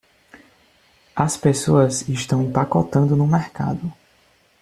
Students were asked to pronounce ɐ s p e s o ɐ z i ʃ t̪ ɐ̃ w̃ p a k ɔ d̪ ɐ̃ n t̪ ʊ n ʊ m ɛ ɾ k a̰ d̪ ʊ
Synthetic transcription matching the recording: ɐ s p e s o ɐ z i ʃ t̪ ɐ̃ w̃ p a k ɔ t̪ ɐ̃ n d̪ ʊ n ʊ m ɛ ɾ k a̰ d̪ ʊ